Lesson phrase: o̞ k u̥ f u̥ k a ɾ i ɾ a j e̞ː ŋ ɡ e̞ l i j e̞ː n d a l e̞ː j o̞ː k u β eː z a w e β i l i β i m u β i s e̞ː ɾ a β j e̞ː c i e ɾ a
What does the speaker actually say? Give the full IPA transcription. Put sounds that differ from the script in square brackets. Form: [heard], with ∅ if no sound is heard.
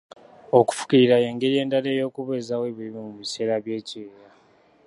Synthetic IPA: o̞ k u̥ f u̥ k [i] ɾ i ɾ a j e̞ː ŋ ɡ e̞ [ɾ] i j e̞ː n d a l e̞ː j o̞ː k u β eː z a w e β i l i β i m u β i s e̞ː ɾ a β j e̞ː c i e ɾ a